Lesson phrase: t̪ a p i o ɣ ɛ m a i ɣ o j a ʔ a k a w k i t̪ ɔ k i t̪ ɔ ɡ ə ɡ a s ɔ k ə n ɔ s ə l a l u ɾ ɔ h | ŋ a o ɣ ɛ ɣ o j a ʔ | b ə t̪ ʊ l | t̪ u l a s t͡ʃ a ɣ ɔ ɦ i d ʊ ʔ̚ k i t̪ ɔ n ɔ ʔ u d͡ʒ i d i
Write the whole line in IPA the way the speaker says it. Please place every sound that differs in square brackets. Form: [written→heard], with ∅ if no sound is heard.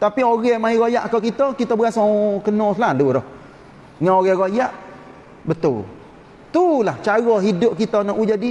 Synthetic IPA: t̪ a p i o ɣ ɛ m a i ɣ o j a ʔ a k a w k i t̪ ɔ k i t̪ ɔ [ɡ→b] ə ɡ a s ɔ k ə n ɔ s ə l a l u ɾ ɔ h | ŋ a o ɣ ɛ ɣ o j a ʔ | b ə t̪ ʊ l | t̪ u l a [s→h] t͡ʃ a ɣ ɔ ɦ i d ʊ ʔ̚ k i t̪ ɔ n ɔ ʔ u d͡ʒ [i→a] d i

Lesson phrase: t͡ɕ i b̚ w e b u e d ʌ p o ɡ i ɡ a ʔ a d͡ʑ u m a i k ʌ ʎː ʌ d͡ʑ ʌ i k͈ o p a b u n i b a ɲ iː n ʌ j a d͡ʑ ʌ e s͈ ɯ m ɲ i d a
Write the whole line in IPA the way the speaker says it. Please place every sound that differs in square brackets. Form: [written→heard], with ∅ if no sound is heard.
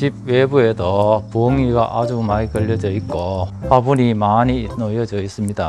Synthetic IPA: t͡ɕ i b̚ w e b u e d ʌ p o [ɡ→ŋ] i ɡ a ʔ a d͡ʑ u m a i k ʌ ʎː ʌ d͡ʑ ʌ i k͈ o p a b u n i [b→m] a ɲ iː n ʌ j [a→ʌ] d͡ʑ ʌ [e→i] s͈ ɯ m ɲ i d a

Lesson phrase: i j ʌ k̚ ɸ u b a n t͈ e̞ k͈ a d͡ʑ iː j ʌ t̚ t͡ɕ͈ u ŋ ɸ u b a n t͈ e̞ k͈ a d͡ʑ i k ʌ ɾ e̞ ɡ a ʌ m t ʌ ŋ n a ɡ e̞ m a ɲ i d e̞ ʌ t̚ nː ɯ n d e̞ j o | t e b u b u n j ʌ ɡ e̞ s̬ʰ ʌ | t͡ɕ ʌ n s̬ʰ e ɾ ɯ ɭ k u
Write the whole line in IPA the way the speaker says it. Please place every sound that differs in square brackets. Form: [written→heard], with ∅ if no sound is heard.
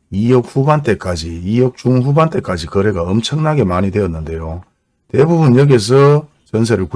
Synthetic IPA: i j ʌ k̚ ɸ u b a n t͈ e̞ k͈ a d͡ʑ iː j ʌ [t̚→k̚] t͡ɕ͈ u ŋ ɸ u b a n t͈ e̞ k͈ a d͡ʑ i k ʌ ɾ e̞ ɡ a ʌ m [t→t͡ɕʰ] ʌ ŋ n a ɡ e̞ m a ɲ i d e̞ ʌ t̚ nː ɯ n d e̞ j o | t e b u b u n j ʌ ɡ e̞ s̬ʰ ʌ | t͡ɕ ʌ n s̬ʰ e ɾ ɯ ɭ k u

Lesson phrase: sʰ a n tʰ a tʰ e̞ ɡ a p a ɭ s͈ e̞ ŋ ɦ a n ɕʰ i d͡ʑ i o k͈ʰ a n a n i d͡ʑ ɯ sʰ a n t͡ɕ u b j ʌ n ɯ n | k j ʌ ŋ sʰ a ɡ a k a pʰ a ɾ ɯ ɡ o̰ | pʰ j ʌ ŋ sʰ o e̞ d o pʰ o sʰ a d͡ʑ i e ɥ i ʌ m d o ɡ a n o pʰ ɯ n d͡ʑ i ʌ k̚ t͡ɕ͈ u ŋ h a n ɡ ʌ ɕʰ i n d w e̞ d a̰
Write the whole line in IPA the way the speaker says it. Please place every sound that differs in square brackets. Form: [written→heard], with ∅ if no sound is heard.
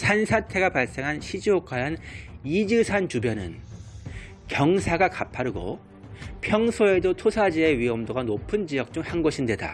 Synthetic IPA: sʰ a n [tʰ→sʰ] a tʰ e̞ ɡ a p a ɭ s͈ e̞ ŋ ɦ a n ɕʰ i d͡ʑ i o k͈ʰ a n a n i d͡ʑ ɯ sʰ a n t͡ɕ u b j ʌ n ɯ n | k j ʌ ŋ sʰ a ɡ a k a pʰ a ɾ ɯ ɡ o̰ | pʰ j ʌ ŋ sʰ o e̞ d o [pʰ→tʰ] o sʰ a d͡ʑ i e ɥ i ʌ m d o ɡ a n o pʰ ɯ n d͡ʑ i ʌ k̚ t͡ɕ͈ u ŋ h a n ɡ ʌ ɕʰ i n d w e̞ d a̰

